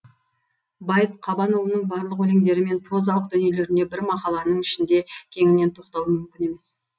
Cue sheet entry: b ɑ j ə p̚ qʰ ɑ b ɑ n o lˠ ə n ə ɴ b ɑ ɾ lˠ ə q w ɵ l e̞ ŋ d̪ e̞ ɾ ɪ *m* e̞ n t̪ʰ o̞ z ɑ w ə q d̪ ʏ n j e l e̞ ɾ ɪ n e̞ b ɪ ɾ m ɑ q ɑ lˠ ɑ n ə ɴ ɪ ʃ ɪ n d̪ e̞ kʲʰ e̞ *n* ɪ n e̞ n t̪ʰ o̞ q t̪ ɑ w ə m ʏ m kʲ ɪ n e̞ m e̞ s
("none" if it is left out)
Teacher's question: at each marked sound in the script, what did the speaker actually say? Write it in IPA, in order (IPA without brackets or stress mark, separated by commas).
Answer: m, ŋ